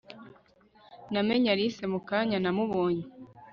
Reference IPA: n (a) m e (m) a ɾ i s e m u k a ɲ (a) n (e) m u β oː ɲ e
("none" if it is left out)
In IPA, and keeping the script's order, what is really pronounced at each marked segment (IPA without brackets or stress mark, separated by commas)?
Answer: a, ɲ, a, a